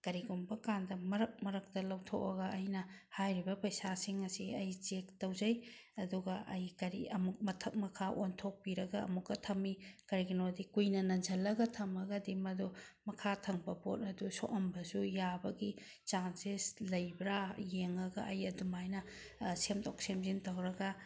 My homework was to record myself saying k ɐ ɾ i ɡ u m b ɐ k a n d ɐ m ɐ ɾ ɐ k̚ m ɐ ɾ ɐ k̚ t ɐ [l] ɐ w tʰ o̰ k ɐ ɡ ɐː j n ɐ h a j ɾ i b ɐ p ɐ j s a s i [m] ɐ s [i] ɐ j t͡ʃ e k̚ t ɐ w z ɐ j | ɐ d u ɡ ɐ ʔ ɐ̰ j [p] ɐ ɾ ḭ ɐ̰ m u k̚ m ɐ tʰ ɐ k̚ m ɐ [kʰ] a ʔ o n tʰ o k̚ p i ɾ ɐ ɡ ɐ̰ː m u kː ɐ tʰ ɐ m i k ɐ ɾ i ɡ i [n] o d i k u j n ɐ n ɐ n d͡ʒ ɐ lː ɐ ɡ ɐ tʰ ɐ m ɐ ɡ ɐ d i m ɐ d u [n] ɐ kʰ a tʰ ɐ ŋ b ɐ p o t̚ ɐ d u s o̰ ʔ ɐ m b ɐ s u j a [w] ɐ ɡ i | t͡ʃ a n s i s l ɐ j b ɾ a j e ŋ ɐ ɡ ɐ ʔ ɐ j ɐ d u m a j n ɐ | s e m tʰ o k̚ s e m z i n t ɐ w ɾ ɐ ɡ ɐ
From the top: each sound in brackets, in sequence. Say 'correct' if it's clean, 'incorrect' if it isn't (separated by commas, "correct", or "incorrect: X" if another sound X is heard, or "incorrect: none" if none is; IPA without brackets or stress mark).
correct, incorrect: ŋ, correct, incorrect: k, correct, correct, incorrect: m, incorrect: b